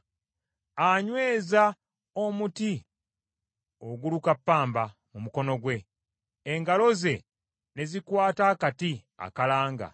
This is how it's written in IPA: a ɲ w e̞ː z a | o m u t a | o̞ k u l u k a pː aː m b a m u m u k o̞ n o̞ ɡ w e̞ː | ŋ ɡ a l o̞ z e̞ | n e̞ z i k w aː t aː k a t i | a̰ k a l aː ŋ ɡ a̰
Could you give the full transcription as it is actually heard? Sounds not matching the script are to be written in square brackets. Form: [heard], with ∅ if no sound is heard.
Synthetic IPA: a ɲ w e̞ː z a | o m u t [i] | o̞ [ɡ] u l u k a pː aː m b a m u m u k o̞ n o̞ ɡ w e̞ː | ŋ ɡ a l o̞ z e̞ | n e̞ z i k w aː t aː k a t i | a̰ k a l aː ŋ ɡ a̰